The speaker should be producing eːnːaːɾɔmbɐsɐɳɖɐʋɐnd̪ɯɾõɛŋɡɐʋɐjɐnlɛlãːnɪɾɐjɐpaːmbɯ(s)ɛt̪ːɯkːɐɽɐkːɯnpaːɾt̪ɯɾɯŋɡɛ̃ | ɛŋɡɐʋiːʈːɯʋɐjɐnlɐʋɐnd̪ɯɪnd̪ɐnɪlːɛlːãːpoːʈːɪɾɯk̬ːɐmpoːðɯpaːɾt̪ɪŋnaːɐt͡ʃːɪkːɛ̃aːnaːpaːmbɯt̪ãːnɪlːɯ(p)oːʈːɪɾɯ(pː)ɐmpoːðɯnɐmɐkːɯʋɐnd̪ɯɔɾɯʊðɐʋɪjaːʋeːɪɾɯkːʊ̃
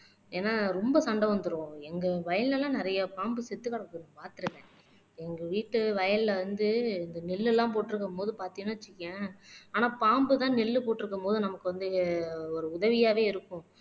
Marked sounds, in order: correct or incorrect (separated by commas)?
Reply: correct, correct, incorrect